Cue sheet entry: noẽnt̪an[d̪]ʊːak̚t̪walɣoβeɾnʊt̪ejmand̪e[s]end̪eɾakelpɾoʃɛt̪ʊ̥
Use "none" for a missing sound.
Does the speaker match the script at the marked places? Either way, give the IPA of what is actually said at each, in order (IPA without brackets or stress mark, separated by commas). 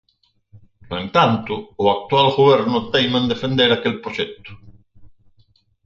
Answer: t̪, f